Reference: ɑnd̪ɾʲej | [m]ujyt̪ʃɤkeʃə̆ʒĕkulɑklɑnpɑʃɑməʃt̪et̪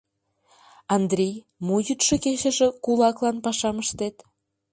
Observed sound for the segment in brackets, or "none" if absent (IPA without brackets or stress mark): m